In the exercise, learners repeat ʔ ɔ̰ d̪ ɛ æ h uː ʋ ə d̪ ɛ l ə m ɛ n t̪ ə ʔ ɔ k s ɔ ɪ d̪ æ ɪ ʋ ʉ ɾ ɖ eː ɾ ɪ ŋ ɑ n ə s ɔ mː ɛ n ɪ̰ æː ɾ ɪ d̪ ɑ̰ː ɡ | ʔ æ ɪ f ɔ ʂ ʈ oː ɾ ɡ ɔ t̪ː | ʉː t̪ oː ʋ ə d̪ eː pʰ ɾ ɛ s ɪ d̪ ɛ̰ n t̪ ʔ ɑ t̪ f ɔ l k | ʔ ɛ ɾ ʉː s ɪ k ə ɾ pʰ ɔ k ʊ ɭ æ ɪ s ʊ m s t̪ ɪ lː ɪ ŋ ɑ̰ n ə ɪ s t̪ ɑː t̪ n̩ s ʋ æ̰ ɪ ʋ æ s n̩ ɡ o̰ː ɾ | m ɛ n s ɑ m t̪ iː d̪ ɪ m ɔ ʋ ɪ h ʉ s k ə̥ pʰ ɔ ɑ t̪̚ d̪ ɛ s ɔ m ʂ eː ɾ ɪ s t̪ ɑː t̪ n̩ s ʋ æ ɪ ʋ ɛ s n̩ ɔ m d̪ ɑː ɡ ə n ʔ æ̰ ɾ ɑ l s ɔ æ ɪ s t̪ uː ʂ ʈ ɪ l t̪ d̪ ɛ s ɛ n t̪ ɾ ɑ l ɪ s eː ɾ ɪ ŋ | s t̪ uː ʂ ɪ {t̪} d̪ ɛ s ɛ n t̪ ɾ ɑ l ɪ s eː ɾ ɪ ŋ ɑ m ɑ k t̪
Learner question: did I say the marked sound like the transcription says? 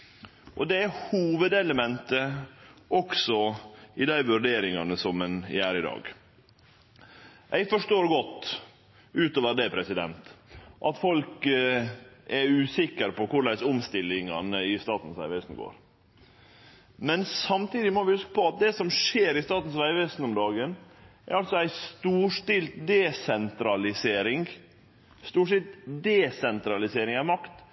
yes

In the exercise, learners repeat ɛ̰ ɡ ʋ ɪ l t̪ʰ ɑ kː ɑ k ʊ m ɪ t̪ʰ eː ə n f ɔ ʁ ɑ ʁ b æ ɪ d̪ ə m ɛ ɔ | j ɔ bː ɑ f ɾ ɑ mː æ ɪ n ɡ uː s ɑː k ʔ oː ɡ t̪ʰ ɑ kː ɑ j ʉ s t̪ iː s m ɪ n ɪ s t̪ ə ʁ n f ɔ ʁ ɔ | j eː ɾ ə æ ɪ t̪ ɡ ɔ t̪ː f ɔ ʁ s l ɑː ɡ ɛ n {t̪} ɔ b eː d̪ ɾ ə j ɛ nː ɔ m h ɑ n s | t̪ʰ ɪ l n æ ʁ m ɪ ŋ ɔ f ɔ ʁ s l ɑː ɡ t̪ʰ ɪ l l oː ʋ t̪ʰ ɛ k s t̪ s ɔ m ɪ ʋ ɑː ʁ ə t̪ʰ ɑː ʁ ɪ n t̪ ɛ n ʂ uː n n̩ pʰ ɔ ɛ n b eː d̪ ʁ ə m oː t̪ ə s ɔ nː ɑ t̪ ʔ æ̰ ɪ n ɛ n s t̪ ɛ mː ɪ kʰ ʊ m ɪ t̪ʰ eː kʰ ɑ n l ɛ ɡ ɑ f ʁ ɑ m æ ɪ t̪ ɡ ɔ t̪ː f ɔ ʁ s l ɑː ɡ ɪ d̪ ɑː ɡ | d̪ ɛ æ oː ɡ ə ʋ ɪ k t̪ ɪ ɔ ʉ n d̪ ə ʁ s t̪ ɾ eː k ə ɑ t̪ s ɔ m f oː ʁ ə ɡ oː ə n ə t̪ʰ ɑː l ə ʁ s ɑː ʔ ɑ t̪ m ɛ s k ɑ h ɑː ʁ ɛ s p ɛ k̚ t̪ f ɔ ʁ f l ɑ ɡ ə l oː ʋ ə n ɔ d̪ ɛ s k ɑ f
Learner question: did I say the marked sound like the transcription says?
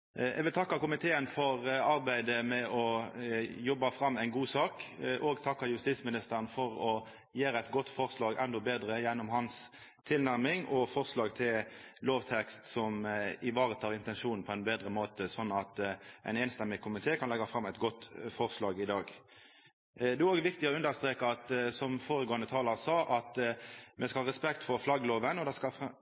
no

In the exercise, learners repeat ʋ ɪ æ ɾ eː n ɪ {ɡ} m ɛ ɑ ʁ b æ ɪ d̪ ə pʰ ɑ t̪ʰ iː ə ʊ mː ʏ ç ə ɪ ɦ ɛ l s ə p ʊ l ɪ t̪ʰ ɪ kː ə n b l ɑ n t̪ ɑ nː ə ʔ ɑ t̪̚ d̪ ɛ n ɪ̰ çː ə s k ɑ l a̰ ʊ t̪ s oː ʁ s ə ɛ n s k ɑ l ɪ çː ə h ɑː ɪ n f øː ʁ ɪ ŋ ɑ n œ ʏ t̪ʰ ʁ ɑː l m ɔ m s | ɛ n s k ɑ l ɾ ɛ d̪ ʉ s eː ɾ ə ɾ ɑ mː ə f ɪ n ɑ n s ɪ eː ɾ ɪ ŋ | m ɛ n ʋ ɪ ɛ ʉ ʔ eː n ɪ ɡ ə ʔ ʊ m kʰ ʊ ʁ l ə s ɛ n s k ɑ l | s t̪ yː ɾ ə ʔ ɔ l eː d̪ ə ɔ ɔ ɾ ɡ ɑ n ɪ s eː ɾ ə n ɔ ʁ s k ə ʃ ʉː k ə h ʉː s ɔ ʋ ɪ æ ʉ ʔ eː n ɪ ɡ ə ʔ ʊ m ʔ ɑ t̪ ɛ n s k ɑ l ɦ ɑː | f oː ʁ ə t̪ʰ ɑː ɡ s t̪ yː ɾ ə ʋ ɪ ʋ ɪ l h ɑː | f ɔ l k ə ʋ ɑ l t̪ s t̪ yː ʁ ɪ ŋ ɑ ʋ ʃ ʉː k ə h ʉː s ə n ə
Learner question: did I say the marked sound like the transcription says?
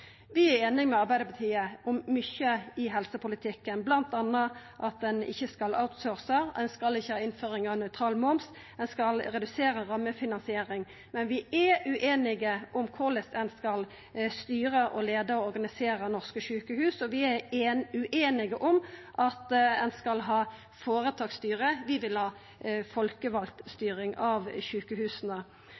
no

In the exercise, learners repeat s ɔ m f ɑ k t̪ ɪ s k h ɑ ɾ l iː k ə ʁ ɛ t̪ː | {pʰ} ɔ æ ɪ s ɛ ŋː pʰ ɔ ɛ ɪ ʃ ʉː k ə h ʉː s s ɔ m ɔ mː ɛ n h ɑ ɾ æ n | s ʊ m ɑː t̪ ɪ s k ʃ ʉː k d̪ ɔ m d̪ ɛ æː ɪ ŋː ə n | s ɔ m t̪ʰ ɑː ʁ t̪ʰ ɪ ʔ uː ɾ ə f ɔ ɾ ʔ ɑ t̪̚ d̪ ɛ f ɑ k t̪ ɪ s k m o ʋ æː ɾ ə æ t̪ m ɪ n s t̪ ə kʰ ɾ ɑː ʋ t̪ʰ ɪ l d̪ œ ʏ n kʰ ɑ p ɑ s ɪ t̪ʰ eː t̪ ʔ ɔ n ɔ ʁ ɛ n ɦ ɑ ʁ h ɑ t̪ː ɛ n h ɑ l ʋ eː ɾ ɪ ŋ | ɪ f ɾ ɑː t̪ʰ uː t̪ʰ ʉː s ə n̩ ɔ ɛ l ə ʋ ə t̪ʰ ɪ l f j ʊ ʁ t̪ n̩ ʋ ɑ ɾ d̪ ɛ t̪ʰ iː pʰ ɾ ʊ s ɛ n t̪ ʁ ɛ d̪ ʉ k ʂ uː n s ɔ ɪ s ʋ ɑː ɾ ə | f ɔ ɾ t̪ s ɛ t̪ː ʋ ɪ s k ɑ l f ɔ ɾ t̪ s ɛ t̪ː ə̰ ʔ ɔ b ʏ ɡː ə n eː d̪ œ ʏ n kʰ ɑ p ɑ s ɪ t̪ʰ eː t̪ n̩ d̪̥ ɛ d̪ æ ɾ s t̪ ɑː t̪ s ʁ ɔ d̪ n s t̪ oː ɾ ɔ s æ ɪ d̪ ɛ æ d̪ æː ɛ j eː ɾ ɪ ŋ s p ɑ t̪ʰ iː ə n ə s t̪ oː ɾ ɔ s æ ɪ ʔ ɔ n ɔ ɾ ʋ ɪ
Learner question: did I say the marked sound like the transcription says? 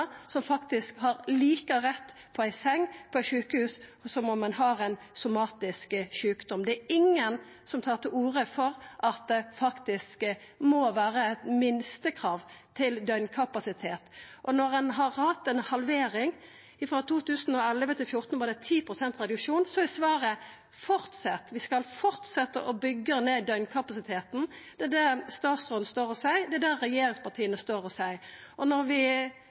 yes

